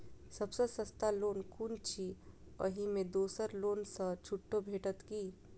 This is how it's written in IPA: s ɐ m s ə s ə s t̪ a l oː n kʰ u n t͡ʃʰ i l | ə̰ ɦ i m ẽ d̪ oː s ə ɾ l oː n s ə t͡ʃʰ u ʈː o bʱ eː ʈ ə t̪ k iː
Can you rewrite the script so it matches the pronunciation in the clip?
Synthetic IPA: s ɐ b s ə s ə s t̪ a l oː n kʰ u n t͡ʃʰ i | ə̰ ɦ i m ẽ d̪ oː s ə ɾ l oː n s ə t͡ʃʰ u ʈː o bʱ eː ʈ ə t̪ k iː